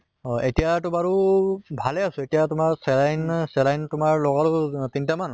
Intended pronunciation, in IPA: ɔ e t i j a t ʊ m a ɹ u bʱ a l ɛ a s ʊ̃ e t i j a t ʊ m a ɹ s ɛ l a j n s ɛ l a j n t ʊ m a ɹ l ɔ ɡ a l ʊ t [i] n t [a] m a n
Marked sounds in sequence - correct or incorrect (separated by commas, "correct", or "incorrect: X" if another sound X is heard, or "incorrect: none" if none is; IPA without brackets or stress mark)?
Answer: correct, correct